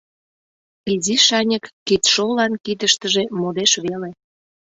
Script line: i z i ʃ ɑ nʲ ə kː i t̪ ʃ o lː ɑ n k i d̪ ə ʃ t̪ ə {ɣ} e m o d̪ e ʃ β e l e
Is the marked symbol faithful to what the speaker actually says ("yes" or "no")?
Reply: no